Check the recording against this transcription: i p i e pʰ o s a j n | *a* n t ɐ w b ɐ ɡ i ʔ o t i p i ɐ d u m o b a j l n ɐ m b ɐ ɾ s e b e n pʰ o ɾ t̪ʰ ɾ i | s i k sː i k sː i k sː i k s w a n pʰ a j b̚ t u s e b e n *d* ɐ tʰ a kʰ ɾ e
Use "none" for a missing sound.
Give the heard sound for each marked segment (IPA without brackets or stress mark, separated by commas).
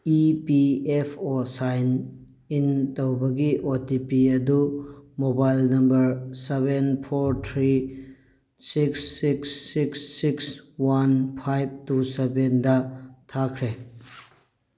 i, d